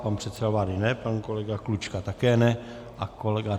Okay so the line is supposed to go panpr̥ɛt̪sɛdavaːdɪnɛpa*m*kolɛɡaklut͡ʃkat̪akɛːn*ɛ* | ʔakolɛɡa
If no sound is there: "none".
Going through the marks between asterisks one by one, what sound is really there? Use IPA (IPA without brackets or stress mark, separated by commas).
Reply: n, ɛ